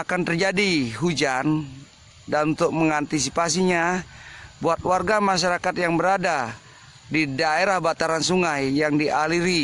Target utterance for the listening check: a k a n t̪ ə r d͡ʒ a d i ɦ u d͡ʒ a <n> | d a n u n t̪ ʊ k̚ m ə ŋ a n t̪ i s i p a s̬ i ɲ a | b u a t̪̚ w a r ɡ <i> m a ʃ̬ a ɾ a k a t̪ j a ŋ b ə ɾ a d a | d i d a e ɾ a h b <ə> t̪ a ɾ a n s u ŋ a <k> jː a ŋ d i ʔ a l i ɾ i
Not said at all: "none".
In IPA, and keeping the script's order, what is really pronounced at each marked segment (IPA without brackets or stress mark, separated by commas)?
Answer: n, a, a, none